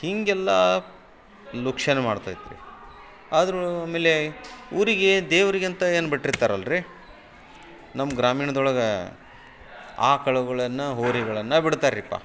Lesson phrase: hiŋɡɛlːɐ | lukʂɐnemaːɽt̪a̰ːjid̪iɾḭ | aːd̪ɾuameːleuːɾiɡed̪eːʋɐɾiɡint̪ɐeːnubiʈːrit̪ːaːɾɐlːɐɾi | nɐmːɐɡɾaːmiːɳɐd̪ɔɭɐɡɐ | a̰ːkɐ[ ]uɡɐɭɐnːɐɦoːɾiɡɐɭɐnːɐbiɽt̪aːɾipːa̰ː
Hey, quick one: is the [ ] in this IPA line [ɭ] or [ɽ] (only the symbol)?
ɭ